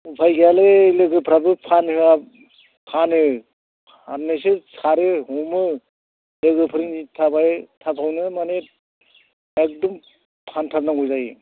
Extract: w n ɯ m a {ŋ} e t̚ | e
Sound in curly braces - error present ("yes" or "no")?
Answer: yes